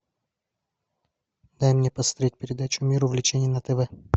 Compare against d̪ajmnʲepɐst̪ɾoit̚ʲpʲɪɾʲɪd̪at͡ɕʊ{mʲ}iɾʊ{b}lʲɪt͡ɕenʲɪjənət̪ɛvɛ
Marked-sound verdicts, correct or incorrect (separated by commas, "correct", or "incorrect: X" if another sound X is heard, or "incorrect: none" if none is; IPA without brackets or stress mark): correct, incorrect: v